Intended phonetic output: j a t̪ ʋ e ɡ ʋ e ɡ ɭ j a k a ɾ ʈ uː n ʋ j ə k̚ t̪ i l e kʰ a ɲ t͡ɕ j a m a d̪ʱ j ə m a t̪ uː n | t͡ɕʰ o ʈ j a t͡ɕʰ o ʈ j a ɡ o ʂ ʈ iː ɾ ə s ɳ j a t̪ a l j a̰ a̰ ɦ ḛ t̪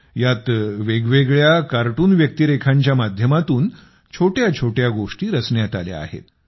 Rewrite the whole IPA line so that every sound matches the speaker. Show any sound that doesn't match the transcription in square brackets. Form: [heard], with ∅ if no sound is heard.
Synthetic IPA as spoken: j a t̪ ʋ e ɡ ʋ e ɡ ɭ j a k a ɾ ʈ uː n ʋ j ə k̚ t̪ i [ɾ] e kʰ a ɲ t͡ɕ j a m a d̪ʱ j ə m a t̪ uː n | t͡ɕʰ o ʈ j a t͡ɕʰ o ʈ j a ɡ o ʂ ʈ iː ɾ ə s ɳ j a t̪ a l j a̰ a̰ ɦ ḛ t̪